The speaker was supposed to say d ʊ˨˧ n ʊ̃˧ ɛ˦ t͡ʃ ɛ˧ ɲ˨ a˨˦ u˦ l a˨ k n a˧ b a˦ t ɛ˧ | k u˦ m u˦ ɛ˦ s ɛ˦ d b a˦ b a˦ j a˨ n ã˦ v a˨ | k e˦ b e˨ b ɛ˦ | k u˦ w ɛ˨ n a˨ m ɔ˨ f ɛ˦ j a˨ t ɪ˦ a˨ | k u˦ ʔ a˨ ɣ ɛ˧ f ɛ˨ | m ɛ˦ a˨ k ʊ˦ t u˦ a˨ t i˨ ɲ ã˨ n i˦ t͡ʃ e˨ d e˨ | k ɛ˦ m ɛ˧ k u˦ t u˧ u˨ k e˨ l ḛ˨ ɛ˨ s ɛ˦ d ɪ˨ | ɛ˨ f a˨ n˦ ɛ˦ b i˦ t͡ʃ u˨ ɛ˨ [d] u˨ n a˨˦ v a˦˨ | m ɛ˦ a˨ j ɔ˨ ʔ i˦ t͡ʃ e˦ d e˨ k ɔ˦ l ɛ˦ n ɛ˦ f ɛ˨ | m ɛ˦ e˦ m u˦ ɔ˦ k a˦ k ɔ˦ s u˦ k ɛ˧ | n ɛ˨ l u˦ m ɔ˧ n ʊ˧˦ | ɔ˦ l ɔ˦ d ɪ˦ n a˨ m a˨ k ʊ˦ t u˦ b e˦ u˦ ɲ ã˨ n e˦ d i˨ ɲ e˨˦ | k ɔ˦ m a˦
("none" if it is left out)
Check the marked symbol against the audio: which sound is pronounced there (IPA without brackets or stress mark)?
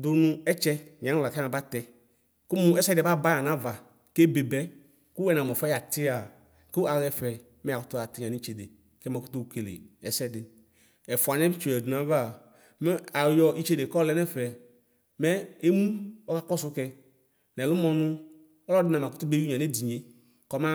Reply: d